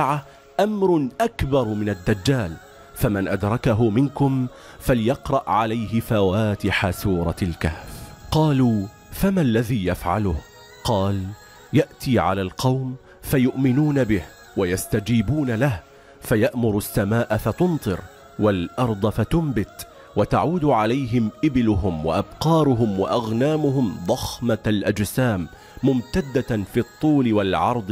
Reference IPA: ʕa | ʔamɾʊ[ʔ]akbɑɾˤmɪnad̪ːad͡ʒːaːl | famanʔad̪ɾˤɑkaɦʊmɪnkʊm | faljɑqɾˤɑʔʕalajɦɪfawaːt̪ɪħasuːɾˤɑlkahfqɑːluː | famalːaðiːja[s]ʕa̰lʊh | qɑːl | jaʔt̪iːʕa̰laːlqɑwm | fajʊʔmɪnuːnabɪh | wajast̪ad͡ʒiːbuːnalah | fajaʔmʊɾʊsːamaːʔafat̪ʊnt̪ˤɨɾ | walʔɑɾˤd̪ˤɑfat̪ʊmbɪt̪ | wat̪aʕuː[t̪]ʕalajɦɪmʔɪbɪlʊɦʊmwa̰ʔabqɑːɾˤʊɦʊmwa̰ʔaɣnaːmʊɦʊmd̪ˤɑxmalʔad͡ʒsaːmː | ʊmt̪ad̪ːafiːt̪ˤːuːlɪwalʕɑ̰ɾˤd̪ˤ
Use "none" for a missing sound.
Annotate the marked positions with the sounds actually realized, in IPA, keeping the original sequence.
ʔ, f, d̪

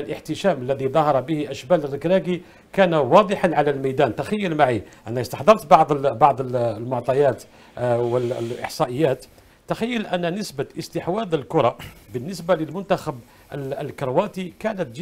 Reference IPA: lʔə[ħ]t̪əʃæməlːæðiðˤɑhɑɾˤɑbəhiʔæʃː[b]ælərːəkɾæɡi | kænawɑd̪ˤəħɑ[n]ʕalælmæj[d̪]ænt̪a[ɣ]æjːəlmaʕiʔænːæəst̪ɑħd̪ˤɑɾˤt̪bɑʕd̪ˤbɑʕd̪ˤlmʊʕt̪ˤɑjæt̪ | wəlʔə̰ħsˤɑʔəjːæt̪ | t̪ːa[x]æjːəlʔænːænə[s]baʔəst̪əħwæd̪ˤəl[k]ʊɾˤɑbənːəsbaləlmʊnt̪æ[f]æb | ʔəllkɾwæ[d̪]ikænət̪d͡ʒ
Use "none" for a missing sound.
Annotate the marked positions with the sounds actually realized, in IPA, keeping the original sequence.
ħ, b, n, d̪, x, x, s, k, x, t̪

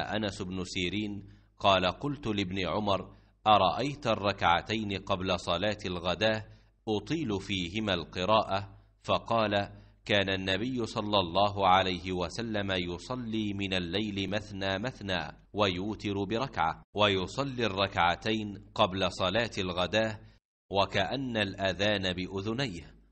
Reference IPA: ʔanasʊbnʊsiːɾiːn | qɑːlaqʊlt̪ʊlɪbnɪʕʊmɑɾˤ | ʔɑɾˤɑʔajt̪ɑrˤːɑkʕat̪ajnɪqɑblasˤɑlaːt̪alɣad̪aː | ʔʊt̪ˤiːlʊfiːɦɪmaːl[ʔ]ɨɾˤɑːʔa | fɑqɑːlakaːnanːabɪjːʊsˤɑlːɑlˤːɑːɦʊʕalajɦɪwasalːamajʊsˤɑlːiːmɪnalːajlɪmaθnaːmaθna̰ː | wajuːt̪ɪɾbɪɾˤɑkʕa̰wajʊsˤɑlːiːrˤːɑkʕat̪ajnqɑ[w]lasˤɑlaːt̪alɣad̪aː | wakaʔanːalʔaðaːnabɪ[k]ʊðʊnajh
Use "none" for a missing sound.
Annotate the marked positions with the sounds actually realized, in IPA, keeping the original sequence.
q, b, ʔ

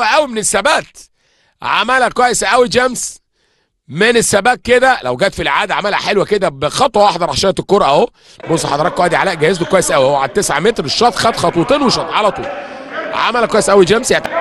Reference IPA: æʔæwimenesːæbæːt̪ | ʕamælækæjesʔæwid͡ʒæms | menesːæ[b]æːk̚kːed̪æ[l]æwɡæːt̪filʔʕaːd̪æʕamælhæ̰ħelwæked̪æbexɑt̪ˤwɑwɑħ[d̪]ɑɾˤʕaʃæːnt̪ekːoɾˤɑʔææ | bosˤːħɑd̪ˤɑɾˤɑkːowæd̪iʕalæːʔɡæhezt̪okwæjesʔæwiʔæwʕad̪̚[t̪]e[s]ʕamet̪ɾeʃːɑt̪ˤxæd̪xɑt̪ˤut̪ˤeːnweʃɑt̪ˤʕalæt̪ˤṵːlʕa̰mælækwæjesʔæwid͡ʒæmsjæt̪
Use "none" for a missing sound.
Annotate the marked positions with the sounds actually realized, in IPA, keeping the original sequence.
b, l, d̪, t̪, s

